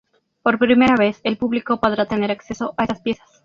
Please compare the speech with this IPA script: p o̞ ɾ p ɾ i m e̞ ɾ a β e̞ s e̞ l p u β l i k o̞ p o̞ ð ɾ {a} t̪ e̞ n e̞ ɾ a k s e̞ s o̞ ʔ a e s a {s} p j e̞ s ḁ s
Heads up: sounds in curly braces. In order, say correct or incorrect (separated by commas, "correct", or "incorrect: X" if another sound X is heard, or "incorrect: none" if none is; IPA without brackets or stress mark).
correct, correct